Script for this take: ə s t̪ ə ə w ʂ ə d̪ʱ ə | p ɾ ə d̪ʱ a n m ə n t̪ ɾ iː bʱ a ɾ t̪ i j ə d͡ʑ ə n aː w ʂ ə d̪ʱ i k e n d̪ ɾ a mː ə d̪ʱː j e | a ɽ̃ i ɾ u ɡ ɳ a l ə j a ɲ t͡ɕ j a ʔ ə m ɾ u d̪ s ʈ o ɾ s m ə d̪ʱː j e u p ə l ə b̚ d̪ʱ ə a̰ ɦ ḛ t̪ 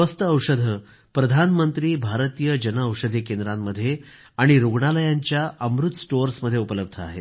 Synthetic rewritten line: ə s t̪ ə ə w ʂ ə d̪ʱ ə | p ɾ ə d̪ʱ a n m ə n t̪ ɾ iː bʱ a ɾ t̪ i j ə d͡ʑ ə n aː w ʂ ə d̪ʱ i k e n d̪ ɾ a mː ə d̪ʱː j e | a ɽ̃ i ɾ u ɡ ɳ a l ə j a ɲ t͡ɕ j a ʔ ə m ɾ u t̪ s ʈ o ɾ s m ə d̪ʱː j e u p ə l ə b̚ d̪ʱ ə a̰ ɦ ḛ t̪